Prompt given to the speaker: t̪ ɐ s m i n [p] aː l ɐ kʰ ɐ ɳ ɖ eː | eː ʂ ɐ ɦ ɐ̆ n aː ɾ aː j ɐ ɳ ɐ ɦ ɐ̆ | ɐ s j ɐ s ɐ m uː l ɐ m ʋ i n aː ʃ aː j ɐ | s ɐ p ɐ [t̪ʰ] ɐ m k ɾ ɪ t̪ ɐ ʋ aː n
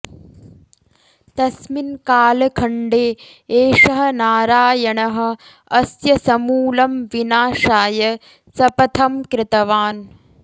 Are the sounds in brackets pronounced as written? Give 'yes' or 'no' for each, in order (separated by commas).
no, yes